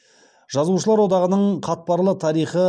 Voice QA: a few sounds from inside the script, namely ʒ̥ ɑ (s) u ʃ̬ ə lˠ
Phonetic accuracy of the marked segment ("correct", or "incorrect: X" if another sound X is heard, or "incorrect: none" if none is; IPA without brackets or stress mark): incorrect: z